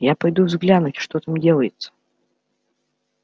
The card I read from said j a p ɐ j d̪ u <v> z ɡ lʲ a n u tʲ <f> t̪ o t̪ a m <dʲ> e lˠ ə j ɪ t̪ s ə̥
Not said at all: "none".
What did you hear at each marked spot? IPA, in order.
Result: v, ʂ, dʲ

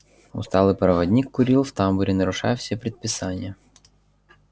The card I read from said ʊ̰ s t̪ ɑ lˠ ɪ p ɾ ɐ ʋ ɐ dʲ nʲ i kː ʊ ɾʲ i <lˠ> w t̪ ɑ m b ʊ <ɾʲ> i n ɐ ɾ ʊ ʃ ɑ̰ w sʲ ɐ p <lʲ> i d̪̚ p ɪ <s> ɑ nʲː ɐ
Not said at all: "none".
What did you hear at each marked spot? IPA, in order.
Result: lˠ, ɾʲ, ɾʲ, s

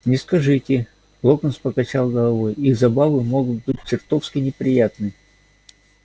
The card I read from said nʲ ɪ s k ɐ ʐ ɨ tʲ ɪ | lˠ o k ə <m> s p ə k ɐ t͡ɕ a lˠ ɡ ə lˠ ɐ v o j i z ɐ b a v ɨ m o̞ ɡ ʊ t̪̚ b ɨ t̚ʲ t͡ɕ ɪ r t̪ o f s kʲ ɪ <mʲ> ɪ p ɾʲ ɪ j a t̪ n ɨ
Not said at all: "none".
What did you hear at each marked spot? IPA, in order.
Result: n, nʲ

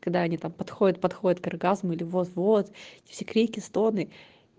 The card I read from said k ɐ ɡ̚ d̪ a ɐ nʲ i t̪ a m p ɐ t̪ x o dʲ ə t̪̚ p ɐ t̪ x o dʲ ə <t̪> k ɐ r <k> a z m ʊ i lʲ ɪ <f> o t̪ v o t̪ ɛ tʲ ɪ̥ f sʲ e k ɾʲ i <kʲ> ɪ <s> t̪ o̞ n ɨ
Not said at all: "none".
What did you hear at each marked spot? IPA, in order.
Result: t̪, ɡ, v, kʲ, s

